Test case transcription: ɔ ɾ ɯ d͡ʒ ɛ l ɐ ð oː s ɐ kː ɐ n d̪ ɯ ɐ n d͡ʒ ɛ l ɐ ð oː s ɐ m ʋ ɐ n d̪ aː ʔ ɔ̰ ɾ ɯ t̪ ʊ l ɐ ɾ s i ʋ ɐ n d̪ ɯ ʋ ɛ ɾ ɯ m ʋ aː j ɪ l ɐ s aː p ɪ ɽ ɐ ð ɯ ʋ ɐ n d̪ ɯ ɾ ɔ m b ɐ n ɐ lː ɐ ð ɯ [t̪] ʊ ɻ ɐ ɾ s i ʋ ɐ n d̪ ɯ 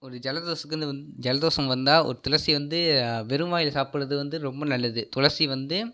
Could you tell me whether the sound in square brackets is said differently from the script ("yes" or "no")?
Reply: no